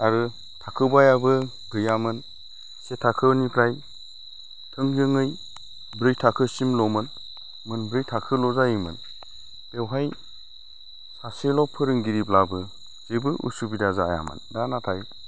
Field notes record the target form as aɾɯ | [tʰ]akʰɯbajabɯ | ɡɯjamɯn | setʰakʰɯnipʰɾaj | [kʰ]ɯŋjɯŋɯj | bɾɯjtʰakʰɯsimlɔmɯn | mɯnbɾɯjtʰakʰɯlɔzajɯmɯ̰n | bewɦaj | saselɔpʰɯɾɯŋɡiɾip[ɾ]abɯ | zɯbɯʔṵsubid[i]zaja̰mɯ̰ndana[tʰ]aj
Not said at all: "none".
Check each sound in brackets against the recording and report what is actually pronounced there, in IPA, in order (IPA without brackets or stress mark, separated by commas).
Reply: tʰ, tʰ, l, a, tʰ